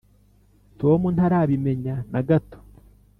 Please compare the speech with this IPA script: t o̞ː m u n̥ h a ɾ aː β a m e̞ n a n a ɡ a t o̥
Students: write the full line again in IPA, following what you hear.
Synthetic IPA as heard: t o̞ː m u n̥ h a ɾ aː β i m e̞ ɲ a n a ɡ a t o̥